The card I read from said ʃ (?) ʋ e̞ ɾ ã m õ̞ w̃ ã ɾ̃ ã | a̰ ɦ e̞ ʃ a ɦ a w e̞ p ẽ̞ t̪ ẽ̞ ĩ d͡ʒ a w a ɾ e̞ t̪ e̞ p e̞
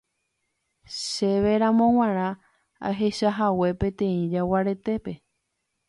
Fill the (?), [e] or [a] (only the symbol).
e